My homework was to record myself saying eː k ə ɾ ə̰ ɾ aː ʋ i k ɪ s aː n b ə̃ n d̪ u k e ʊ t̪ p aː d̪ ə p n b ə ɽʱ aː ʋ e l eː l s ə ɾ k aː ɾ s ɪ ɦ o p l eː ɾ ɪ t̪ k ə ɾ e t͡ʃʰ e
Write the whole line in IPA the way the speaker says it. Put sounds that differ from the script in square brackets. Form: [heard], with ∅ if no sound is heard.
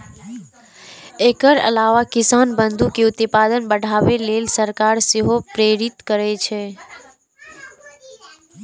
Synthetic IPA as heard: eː k ə ɾ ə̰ [l] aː ʋ [a] k ɪ s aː n b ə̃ n d̪ u k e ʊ t̪ p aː d̪ ə [∅] n b ə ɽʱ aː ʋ e l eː l s ə ɾ k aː ɾ s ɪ ɦ o p [ɾ] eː ɾ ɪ t̪ k ə ɾ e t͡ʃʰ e